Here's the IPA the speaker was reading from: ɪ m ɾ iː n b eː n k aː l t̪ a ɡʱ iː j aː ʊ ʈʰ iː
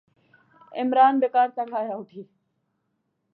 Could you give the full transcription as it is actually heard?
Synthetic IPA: ɪ m ɾ aː n b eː k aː ɾ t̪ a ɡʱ aː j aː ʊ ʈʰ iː